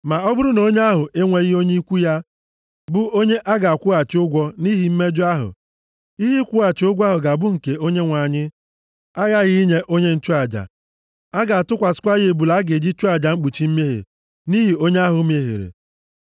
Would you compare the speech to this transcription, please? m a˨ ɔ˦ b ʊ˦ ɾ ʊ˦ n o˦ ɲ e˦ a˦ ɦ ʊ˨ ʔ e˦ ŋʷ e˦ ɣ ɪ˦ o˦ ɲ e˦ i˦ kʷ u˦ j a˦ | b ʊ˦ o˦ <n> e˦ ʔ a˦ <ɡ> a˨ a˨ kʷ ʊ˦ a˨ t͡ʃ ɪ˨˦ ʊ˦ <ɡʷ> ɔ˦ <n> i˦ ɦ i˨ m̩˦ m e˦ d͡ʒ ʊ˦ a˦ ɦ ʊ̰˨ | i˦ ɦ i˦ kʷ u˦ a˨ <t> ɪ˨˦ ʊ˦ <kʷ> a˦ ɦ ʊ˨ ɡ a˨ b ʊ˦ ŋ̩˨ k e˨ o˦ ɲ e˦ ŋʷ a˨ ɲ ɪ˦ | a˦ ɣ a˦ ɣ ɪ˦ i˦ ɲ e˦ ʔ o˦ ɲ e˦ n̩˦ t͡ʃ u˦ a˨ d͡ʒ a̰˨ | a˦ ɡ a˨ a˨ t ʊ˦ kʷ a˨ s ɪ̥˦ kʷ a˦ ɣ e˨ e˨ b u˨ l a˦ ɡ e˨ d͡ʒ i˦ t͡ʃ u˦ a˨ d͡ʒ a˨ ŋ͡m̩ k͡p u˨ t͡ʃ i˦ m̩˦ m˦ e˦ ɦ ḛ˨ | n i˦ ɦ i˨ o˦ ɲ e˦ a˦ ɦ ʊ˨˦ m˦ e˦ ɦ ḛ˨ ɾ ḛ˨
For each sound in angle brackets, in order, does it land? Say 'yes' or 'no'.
no, yes, yes, yes, no, no

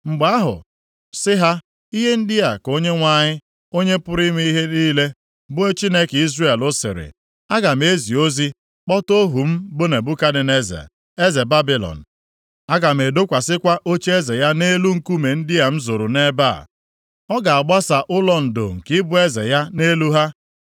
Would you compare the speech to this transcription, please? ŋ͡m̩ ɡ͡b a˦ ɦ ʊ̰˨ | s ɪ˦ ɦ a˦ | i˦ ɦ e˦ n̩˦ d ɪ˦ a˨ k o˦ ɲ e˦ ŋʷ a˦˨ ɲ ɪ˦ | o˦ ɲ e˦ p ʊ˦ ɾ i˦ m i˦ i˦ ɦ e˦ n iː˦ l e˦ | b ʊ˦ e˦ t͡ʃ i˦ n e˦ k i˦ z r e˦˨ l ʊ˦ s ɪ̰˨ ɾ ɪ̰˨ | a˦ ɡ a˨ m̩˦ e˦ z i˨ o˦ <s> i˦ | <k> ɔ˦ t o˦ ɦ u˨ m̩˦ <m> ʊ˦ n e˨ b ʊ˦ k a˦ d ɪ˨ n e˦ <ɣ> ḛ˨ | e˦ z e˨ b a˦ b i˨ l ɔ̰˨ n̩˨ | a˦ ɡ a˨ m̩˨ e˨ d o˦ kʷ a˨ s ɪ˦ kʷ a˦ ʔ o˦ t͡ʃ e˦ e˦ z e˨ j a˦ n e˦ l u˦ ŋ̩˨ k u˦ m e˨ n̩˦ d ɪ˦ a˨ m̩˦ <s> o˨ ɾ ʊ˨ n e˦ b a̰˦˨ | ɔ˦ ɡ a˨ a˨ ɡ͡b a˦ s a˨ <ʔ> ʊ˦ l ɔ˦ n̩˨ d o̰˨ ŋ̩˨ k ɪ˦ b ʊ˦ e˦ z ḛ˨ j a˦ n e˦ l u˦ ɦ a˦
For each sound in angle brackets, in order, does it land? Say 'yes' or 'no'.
no, no, no, no, no, yes

